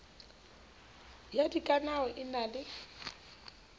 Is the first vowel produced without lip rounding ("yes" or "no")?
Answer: yes